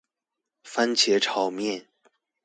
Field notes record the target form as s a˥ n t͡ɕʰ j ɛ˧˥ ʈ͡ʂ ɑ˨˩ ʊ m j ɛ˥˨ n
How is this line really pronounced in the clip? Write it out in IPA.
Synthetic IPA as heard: f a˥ n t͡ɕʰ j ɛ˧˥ ʈ͡ʂʰ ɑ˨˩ ʊ m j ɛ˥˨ n